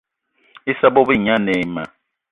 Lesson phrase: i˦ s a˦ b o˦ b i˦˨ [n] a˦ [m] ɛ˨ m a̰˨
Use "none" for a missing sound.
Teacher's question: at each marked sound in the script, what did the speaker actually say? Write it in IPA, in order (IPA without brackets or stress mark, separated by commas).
ɲ, n